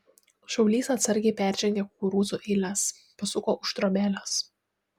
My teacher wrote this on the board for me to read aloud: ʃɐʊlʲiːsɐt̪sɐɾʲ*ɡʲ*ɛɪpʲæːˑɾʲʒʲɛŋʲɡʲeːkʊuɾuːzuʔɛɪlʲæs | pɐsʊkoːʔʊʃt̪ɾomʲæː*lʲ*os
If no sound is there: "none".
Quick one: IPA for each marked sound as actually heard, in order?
ɡʲ, lʲ

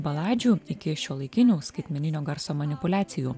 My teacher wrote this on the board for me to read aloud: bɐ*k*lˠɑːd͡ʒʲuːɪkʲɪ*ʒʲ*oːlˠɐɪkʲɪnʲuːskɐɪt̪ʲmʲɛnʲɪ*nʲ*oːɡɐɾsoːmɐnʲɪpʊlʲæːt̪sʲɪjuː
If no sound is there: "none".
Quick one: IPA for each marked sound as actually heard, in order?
none, ʃʲ, nʲ

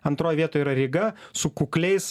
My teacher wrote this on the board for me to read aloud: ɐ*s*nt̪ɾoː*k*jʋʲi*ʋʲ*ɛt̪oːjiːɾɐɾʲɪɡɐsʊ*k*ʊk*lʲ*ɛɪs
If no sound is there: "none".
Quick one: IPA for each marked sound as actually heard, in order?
none, none, none, k, lʲ

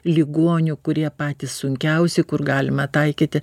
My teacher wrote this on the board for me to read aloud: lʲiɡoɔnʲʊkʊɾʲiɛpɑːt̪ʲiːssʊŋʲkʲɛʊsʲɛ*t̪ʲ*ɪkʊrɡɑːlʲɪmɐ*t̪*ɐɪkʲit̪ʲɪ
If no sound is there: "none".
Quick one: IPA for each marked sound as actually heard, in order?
none, t̪

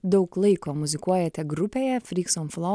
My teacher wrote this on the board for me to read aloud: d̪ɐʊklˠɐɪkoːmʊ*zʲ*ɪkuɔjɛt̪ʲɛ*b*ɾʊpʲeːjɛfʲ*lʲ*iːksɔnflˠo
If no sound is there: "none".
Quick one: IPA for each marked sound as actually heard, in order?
zʲ, ɡ, ɾʲ

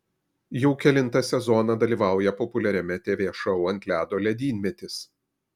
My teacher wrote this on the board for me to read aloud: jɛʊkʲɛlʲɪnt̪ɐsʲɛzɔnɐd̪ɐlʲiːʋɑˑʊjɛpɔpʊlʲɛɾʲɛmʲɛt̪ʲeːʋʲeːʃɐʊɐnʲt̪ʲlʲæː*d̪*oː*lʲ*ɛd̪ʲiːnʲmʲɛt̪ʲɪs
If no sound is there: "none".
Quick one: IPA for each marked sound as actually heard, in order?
d̪, lʲ

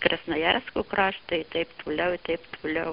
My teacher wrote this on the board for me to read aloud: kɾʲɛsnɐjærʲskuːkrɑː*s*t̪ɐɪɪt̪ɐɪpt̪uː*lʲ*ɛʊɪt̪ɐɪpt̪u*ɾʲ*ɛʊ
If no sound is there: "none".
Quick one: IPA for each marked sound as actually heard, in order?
ʃ, lʲ, lʲ

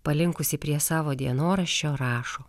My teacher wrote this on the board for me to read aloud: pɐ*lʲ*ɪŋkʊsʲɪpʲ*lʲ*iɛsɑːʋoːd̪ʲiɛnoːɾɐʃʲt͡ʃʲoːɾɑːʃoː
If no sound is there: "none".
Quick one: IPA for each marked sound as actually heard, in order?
lʲ, ɾʲ

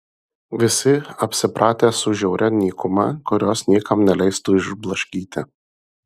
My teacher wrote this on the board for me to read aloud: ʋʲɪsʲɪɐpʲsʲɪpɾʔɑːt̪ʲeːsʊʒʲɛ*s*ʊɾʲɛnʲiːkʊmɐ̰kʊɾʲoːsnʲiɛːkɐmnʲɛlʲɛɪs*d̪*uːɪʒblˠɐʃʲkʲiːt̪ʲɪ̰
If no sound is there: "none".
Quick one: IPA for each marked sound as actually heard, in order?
none, t̪

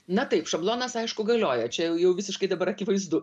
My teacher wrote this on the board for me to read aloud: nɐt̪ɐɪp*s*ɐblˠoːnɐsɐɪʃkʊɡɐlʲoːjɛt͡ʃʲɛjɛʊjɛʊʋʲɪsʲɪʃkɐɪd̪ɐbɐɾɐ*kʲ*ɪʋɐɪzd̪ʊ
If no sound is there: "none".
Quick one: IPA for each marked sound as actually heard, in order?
ʃ, kʲ

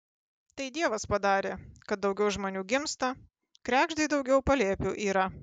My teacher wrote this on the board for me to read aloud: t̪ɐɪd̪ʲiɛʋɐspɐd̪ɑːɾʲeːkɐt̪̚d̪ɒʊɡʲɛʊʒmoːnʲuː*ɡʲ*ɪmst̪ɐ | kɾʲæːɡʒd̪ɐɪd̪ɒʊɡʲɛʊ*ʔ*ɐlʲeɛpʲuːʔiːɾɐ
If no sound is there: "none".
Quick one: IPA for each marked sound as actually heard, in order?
ɡʲ, p

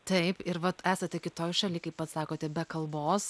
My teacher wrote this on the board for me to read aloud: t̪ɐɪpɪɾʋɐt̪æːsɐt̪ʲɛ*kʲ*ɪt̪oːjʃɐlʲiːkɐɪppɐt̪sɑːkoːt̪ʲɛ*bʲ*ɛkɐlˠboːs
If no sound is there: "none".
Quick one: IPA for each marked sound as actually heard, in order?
kʲ, bʲ

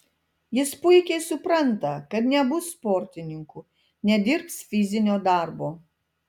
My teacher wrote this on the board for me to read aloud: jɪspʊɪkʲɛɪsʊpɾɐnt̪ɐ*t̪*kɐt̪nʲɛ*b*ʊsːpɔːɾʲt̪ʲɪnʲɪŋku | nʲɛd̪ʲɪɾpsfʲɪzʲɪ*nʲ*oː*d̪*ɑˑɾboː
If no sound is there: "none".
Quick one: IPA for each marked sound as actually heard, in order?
none, b, nʲ, d̪

